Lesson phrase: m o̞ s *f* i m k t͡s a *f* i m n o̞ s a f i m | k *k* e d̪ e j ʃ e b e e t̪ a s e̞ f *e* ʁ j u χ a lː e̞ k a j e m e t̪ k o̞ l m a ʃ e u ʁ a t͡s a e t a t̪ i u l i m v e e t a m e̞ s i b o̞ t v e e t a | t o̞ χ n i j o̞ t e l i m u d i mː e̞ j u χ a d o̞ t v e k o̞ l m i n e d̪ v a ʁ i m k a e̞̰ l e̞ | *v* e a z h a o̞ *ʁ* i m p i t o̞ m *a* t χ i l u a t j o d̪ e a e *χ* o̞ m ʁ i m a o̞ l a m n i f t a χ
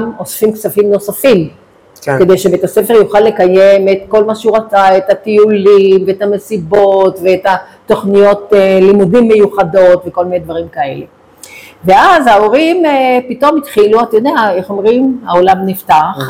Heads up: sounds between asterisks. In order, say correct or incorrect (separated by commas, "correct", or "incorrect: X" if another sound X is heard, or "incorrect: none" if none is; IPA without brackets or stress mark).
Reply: correct, correct, correct, correct, correct, correct, incorrect: i, correct